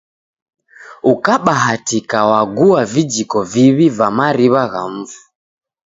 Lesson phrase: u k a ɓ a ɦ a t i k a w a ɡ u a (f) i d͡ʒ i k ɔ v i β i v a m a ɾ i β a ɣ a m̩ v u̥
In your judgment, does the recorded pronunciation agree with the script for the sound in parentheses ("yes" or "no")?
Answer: no